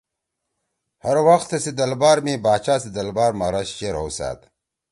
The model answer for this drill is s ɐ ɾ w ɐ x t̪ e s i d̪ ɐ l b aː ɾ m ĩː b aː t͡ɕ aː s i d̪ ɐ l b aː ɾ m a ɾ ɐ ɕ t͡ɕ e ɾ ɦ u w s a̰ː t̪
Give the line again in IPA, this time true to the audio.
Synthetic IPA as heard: h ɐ ɾ w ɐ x t̪ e s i d̪ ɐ l b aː ɾ m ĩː b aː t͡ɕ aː s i d̪ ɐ l b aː ɾ m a ɾ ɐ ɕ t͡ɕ e ɾ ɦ o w s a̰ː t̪